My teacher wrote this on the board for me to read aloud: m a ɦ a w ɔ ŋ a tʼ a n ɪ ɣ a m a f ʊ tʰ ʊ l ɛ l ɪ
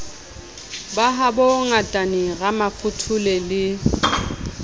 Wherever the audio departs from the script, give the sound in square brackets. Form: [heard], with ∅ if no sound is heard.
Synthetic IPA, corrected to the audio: [b] a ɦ a [b] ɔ ŋ a tʼ a n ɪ ɣ a m a f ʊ tʰ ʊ l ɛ l ɪ